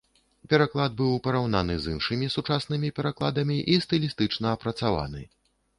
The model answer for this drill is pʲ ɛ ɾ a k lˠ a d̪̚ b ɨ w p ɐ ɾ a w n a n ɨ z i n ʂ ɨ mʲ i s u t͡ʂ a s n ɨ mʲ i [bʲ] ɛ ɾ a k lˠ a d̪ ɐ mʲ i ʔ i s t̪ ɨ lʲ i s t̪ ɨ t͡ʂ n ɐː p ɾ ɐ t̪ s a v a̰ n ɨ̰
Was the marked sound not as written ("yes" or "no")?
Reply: yes